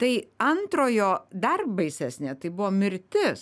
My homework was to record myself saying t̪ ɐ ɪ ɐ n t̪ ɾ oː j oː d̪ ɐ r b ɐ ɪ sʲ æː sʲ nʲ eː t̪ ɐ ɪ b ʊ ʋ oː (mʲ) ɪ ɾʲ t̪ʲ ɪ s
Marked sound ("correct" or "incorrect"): correct